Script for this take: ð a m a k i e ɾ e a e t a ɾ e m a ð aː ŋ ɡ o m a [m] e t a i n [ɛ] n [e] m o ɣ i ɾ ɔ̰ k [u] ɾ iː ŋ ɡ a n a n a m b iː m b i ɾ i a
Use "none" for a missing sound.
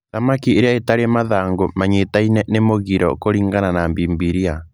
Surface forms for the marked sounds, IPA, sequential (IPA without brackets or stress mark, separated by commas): ɲ, ɛ, e, o